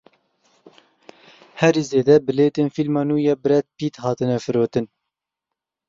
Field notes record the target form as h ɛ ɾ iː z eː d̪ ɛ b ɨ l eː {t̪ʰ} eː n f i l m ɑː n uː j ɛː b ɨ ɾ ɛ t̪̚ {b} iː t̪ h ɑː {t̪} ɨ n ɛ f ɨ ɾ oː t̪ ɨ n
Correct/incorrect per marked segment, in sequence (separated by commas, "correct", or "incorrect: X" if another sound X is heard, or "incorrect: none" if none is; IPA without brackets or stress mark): incorrect: t̪, incorrect: p, correct